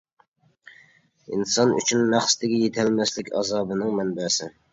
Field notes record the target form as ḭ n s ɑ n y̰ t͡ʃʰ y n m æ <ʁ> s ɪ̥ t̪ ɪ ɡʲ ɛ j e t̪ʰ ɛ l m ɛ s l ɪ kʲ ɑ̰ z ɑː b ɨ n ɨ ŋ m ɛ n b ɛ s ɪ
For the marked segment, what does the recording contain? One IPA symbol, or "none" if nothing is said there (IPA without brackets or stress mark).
χ